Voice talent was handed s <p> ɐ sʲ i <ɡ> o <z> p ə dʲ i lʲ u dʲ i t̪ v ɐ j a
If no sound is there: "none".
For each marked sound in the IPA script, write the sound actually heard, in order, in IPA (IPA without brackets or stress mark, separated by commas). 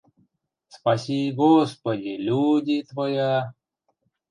p, ɡ, s